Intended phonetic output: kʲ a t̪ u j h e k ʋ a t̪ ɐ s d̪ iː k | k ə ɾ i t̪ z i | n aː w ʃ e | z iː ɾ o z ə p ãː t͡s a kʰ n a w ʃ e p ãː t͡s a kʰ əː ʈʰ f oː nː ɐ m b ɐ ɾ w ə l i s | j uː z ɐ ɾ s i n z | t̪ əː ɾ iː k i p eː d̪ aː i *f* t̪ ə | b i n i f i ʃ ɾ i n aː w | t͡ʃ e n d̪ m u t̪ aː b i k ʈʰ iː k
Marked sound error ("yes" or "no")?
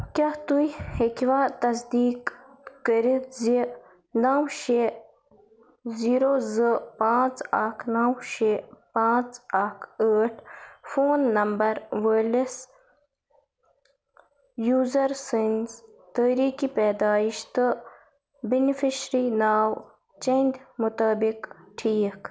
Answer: yes